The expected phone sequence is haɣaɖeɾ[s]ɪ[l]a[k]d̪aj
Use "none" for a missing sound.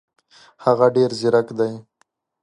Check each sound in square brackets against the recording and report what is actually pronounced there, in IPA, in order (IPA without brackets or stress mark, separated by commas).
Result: z, ɾ, k